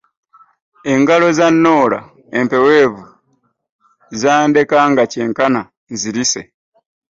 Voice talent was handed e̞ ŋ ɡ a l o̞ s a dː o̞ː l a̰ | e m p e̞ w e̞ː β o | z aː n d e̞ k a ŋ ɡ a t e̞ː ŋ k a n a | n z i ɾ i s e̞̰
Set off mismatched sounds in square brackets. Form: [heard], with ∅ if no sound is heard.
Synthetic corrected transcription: e̞ ŋ ɡ a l o̞ [z] a [nː] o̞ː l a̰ | e m p e̞ w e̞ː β [u] | z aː n d e̞ k a ŋ ɡ a [c] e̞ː ŋ k a n a | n z i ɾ i s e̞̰